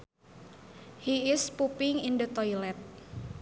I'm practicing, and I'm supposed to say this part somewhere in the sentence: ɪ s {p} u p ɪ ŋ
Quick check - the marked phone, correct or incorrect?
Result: correct